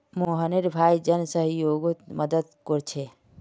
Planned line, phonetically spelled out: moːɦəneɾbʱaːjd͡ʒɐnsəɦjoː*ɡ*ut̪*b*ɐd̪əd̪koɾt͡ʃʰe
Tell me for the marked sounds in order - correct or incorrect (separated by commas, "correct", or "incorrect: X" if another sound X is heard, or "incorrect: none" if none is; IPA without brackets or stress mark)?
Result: correct, incorrect: m